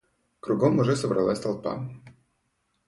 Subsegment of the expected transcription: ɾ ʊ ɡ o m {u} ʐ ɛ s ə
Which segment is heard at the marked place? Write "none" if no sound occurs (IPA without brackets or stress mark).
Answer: ʊ